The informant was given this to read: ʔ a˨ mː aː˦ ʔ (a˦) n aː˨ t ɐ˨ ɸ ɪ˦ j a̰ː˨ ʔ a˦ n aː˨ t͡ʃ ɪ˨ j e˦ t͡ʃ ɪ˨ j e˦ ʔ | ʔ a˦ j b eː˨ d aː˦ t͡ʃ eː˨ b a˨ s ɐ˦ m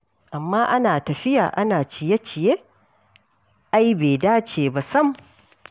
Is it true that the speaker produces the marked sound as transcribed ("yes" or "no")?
yes